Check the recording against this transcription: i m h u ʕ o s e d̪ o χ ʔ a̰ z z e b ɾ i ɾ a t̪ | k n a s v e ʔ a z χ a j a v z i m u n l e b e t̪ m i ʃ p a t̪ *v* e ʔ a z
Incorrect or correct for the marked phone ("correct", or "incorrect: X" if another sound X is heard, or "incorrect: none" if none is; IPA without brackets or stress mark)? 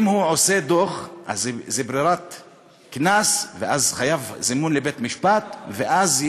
correct